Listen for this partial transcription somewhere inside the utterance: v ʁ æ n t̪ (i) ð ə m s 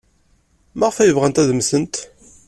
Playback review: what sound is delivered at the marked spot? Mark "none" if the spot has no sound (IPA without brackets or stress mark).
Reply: æ